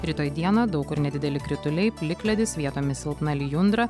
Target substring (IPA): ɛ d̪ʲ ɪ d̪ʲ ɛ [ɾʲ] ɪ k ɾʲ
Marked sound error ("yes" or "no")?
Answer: yes